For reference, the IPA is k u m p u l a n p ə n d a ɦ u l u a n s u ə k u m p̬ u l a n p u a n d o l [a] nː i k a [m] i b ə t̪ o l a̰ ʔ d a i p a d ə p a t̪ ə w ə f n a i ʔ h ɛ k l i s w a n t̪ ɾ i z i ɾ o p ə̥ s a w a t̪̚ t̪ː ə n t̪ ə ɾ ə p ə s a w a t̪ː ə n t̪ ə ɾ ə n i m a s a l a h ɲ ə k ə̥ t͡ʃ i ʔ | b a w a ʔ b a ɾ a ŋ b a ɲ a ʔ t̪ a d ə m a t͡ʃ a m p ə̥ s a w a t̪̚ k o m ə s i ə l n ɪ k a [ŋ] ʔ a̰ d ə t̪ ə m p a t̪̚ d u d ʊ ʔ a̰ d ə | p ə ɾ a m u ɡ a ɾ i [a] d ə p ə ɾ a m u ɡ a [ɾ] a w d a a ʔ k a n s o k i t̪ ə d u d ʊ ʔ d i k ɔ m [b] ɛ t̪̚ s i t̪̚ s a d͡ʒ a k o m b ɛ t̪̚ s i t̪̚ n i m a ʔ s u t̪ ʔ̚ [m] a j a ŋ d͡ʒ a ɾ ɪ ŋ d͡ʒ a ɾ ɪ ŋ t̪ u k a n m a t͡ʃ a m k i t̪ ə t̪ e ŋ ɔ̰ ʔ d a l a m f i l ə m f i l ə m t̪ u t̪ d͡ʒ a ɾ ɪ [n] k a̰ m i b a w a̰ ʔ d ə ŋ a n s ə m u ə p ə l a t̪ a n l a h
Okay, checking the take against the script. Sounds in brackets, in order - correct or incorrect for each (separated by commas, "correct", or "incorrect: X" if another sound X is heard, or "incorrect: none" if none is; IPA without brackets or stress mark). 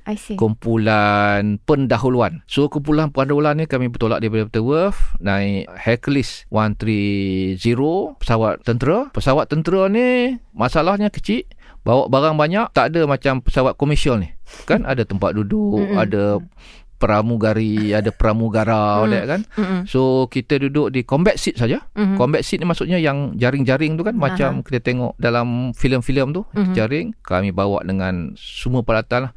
correct, correct, incorrect: n, correct, correct, correct, incorrect: ɲ, incorrect: ŋ